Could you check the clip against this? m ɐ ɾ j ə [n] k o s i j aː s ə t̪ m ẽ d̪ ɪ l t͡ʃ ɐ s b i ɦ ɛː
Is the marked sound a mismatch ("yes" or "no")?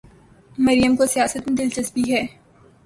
yes